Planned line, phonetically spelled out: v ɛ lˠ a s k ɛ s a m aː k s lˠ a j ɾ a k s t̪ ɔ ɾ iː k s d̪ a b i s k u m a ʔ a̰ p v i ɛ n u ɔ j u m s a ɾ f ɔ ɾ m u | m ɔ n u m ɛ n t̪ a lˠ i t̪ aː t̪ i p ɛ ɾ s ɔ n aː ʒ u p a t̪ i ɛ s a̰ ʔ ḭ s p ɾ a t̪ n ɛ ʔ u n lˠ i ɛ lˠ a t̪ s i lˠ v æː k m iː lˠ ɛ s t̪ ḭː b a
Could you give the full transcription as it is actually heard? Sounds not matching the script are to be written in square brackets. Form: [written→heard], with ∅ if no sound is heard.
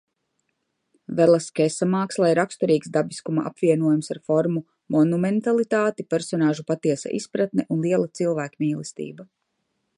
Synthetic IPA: v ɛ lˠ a s k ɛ s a m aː k s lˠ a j ɾ a k s t̪ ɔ ɾ iː k s d̪ a b i s k u m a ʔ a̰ p v i ɛ n u ɔ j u m s a ɾ f ɔ ɾ m u | m ɔ n u m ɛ n t̪ a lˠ i t̪ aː t̪ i p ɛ ɾ s ɔ n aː ʒ u p a t̪ i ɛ s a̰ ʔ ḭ s p ɾ a t̪ n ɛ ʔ u n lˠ i ɛ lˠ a t̪ s i lˠ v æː k m iː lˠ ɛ s t̪ ḭː b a